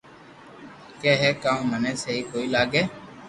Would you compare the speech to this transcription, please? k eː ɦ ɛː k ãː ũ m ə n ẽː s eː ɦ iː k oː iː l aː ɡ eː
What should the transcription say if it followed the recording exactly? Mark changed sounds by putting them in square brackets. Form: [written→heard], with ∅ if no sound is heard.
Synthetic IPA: k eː ɦ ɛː k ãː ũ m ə n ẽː s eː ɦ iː k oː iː l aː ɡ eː